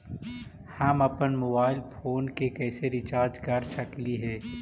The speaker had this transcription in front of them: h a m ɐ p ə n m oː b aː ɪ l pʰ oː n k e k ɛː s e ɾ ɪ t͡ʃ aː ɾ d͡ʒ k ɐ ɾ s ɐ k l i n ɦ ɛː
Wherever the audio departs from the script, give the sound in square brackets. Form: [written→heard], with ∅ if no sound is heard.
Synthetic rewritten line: h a m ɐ p ə n m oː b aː ɪ l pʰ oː n k e k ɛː s e ɾ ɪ t͡ʃ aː ɾ d͡ʒ k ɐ ɾ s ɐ k l i [n→∅] ɦ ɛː